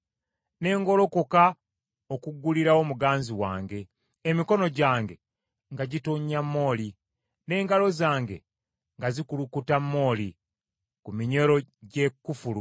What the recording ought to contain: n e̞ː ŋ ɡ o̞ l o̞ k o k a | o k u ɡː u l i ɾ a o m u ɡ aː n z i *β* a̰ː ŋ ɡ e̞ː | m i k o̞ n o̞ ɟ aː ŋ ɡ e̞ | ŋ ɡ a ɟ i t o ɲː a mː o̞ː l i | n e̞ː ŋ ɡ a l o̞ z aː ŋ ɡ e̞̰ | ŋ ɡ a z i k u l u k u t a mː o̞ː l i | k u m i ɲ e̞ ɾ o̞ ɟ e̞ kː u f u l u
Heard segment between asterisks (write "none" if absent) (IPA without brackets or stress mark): w